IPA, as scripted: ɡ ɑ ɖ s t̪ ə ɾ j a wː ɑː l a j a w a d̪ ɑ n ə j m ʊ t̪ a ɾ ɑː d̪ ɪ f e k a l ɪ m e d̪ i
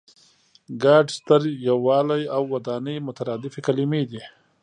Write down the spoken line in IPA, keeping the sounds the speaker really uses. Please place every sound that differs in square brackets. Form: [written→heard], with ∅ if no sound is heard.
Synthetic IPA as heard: ɡ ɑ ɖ s t̪ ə ɾ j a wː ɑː l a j a [w→wː] a d̪ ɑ n ə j m ʊ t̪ a ɾ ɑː d̪ ɪ f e k a l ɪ m e d̪ i